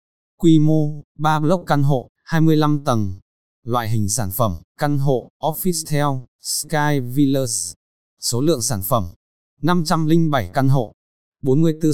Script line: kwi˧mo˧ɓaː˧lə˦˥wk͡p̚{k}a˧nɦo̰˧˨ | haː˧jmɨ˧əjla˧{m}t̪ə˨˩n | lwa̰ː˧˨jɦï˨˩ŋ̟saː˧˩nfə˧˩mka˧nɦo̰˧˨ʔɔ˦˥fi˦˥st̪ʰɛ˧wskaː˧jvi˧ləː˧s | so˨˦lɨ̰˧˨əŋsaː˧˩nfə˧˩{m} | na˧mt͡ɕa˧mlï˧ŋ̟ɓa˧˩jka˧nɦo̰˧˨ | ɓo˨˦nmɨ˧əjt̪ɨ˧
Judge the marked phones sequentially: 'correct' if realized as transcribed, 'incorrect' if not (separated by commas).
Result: correct, correct, correct